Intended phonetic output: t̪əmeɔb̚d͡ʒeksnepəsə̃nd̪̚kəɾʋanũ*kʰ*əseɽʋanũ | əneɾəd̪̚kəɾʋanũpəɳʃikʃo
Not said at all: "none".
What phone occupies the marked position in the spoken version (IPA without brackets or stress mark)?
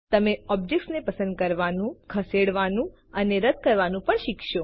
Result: kʰ